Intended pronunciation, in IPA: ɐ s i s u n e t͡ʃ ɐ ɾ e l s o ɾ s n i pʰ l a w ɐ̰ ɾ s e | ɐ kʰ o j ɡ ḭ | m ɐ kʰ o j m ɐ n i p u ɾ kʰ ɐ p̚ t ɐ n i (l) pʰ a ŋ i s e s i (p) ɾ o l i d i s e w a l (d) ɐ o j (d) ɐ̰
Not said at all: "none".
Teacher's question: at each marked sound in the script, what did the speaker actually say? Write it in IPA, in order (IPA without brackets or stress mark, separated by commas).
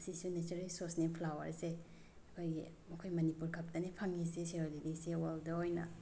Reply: none, none, d, n